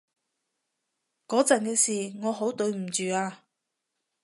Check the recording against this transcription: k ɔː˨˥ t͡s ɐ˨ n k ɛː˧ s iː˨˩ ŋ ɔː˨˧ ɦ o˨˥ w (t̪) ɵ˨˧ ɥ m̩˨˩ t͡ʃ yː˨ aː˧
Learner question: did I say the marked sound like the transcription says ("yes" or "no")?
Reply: yes